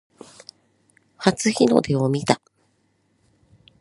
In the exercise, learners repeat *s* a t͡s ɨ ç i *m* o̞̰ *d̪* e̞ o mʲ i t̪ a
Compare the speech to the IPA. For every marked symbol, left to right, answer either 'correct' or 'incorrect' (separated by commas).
incorrect, incorrect, correct